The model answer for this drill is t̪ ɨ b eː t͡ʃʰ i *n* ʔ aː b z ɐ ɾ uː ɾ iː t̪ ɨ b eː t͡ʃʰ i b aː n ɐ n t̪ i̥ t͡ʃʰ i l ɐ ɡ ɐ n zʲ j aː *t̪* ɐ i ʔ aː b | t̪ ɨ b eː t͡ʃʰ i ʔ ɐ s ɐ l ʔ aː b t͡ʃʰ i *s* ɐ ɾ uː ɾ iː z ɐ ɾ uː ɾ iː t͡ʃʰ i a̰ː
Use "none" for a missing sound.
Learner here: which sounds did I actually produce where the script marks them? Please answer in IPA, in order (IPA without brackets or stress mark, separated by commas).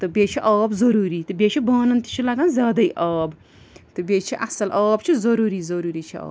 none, d̪, z